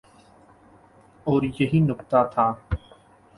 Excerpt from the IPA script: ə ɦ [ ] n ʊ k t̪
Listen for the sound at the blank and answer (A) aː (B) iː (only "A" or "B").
B